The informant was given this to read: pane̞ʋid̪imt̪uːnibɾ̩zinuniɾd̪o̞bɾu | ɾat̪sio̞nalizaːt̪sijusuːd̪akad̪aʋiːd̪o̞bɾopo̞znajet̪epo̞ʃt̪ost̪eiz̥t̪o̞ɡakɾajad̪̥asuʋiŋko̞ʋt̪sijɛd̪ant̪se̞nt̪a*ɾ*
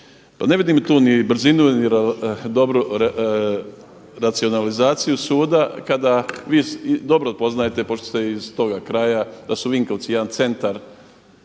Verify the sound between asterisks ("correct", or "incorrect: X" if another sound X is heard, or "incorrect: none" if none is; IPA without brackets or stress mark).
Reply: correct